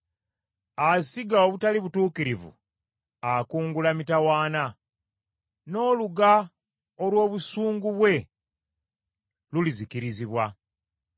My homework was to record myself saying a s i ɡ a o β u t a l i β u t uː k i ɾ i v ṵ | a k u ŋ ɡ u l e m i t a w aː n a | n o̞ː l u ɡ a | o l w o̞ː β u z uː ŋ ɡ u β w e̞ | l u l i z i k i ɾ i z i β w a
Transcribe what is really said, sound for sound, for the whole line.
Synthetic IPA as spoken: a s i ɡ a o β u t a l i β u t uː k i ɾ i v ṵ | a k uː ŋ ɡ u l a m i t a w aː n a | n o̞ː l u ɡ a | o l w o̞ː β u s uː ŋ ɡ u β w e̞ | l u l i z i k i ɾ i z i β w a